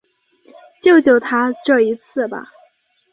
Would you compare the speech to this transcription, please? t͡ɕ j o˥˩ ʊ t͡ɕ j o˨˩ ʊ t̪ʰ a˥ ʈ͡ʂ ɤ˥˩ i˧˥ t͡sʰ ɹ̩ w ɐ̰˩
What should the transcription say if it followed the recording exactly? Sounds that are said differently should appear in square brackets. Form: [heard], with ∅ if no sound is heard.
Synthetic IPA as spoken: t͡ɕ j o˥˩ ʊ t͡ɕ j o˨˩ ʊ t̪ʰ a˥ ʈ͡ʂ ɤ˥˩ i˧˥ t͡sʰ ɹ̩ [b] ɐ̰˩